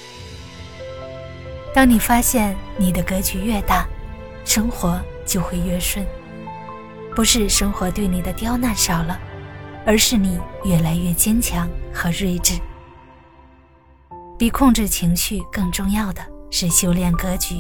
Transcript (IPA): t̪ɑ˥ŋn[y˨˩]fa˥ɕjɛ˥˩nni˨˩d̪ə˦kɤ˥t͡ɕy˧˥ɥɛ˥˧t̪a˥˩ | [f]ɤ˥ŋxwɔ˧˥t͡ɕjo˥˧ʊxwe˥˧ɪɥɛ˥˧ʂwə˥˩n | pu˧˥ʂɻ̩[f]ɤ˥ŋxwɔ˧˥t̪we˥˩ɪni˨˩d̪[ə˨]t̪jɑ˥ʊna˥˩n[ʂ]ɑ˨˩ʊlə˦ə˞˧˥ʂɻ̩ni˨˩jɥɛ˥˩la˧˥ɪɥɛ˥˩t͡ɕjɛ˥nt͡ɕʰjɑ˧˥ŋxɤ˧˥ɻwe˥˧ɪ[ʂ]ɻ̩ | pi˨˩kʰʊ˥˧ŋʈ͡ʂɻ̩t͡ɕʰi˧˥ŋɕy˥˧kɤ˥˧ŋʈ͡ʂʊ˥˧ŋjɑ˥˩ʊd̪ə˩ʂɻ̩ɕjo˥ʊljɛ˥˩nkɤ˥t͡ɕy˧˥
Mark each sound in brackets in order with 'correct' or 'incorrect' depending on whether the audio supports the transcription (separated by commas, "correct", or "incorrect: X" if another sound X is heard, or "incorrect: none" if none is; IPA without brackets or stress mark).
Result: incorrect: i˨˩, incorrect: ʂ, incorrect: ʂ, incorrect: ə˦, correct, incorrect: ʈ͡ʂ